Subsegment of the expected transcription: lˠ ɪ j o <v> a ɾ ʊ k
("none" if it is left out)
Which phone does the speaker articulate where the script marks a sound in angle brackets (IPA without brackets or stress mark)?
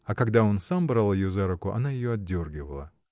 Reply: z